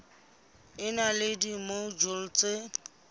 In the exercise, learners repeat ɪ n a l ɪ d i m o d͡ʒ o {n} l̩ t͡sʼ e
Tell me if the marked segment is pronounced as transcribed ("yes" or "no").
no